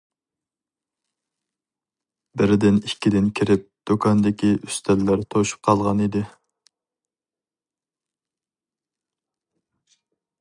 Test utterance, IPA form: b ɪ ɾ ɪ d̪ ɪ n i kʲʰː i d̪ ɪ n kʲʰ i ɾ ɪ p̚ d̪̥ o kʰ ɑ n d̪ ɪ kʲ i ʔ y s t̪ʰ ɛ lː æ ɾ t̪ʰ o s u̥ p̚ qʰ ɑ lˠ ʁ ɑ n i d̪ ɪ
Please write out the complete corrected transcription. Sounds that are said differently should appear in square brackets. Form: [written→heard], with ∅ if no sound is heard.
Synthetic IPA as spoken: b ɪ ɾ ɪ d̪ ɪ n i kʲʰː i d̪ ɪ n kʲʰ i ɾ ɪ p̚ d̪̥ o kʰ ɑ n d̪ ɪ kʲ i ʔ y s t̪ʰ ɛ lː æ ɾ t̪ʰ o [s→ʃ] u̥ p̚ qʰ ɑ lˠ ʁ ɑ n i d̪ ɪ